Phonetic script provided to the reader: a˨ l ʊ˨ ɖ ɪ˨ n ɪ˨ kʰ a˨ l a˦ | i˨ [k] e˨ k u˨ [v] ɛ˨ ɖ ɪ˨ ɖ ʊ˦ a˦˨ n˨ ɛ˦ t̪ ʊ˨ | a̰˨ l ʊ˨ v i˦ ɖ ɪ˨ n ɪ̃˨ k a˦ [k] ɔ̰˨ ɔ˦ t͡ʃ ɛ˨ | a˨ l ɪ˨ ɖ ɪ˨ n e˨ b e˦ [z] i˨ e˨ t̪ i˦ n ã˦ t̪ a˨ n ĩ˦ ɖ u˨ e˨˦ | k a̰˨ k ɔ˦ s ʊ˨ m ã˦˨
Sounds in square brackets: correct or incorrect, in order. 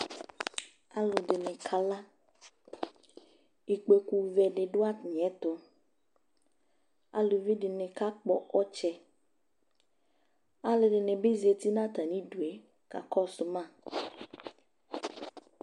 incorrect: k͡p, correct, incorrect: k͡p, correct

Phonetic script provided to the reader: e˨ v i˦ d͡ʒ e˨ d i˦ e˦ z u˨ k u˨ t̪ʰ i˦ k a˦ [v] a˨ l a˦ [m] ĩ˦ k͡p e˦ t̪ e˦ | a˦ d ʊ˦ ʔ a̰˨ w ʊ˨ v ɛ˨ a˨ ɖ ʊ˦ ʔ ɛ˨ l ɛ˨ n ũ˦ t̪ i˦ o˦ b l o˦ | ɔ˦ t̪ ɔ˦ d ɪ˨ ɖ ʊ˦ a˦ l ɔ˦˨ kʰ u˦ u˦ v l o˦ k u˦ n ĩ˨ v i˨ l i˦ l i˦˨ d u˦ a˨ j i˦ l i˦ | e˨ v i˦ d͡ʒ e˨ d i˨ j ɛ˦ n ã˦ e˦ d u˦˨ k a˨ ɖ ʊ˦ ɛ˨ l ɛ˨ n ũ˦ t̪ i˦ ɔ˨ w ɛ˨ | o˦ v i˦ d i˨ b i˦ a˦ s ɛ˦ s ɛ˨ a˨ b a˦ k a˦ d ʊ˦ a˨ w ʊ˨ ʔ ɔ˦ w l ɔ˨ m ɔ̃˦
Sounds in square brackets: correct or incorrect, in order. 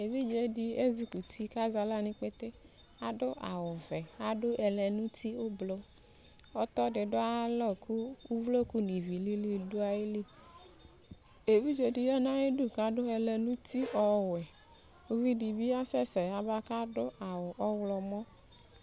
incorrect: z, incorrect: n

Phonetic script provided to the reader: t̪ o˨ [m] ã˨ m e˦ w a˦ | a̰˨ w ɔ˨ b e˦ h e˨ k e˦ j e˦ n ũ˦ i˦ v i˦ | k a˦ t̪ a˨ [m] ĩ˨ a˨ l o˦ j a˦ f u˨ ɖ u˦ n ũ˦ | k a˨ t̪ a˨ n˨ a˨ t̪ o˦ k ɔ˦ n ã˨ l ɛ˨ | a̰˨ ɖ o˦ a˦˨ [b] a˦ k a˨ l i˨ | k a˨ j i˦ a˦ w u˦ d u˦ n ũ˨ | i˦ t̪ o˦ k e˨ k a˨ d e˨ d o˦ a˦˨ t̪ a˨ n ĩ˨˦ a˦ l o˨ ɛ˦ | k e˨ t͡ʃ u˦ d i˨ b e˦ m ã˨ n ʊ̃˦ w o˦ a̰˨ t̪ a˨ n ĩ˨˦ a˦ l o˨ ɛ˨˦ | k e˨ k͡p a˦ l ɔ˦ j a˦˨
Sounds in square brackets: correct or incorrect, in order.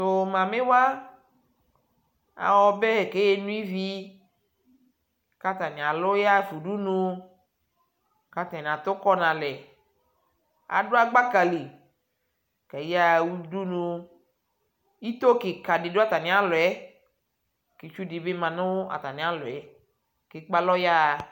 correct, incorrect: n, incorrect: ɡ͡b

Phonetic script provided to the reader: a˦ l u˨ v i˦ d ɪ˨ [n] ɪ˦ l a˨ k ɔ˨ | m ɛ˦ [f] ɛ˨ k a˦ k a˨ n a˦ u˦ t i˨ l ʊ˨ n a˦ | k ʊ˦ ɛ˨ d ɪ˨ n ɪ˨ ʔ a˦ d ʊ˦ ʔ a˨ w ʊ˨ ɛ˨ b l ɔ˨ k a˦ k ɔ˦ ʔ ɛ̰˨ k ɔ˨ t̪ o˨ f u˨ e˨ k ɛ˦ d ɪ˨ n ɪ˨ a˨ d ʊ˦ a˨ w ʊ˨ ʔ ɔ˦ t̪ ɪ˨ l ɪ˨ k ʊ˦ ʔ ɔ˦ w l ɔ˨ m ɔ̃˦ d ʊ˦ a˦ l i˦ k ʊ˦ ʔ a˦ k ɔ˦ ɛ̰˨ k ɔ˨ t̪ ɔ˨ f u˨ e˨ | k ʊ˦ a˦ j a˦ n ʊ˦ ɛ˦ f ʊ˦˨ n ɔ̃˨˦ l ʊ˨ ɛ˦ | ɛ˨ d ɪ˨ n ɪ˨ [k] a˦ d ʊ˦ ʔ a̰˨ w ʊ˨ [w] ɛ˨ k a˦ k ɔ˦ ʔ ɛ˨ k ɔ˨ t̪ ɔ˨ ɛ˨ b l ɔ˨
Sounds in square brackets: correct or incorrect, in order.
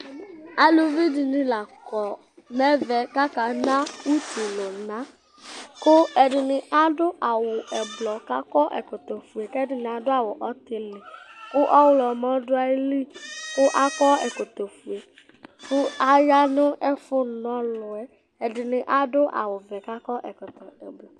correct, incorrect: v, incorrect: ʔ, incorrect: v

